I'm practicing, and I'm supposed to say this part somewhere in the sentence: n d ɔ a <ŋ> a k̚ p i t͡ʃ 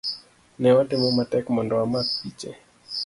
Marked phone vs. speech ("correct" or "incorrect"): incorrect